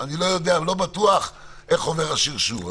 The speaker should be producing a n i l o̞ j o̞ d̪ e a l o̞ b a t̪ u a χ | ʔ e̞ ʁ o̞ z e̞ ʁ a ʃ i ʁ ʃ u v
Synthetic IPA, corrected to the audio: a n i l o̞ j o̞ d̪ e a l o̞ b a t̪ u a χ | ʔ e̞ χ o̞ v e̞ ʁ a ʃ i ʁ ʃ u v